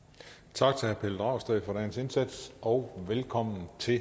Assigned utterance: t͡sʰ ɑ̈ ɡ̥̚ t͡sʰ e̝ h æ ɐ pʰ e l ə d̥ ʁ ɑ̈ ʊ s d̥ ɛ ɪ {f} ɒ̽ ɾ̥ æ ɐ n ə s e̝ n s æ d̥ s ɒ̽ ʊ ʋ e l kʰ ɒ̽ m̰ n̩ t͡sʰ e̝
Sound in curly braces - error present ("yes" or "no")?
no